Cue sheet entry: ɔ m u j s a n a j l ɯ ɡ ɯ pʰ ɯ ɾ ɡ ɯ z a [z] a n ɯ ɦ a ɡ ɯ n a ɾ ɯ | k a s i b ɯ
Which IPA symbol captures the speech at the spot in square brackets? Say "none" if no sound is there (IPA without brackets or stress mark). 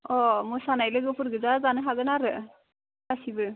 z